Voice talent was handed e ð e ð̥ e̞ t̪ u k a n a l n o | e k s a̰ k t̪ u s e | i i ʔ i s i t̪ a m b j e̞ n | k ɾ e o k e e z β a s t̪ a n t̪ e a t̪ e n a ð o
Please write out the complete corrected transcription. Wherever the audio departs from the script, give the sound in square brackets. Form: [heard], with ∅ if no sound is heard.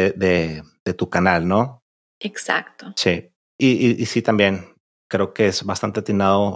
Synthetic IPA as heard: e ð e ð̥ e̞ t̪ u k a n a l n o | e k s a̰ k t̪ [o] s [i] | i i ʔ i s i t̪ a m b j e̞ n | k ɾ e o k e e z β a s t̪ a n t̪ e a t̪ [i] n a ð o